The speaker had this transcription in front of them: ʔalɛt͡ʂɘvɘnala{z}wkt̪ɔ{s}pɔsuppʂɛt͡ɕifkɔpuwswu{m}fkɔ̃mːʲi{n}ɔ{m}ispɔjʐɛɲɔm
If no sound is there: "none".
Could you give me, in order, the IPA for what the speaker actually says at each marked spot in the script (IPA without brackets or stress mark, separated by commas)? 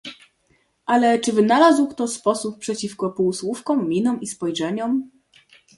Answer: z, s, none, n, m